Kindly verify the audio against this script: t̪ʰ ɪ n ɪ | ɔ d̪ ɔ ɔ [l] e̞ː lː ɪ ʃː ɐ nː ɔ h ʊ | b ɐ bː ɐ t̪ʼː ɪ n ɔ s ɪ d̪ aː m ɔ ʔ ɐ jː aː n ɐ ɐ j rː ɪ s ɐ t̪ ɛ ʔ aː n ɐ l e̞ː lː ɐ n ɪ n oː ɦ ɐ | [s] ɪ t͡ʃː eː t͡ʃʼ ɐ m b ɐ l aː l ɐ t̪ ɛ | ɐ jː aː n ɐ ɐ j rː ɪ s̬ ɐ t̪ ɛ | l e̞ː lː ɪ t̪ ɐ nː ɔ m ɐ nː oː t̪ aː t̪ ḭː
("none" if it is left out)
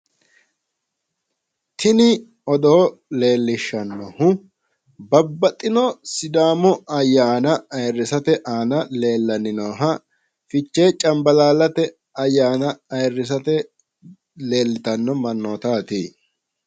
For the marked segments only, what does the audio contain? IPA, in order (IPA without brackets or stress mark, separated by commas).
l, f